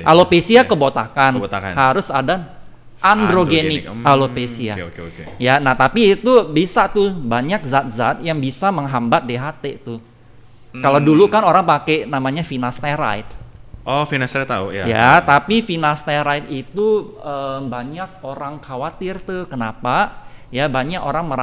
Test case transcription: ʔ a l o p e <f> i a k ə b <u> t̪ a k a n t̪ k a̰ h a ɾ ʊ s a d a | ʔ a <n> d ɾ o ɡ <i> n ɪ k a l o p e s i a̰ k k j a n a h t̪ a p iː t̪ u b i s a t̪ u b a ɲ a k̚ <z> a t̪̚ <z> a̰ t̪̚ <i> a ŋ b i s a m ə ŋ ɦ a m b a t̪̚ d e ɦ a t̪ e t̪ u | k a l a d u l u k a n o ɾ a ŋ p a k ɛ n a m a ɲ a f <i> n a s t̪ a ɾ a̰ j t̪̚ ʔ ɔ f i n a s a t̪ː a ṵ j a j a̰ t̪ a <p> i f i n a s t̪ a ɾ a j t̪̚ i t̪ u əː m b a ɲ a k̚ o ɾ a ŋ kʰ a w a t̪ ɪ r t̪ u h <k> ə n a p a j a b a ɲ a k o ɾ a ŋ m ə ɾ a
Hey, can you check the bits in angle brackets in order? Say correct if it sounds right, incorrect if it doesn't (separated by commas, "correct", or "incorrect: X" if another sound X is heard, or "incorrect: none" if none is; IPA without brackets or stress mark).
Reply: incorrect: s, incorrect: o, correct, incorrect: e, correct, correct, incorrect: j, correct, correct, correct